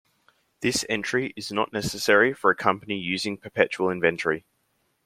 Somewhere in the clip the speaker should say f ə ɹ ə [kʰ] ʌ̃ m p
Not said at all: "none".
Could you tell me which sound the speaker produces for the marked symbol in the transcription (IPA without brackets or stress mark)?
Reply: kʰ